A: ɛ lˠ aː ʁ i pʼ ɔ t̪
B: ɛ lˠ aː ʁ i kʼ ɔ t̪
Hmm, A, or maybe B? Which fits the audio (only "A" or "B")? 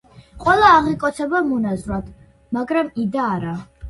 B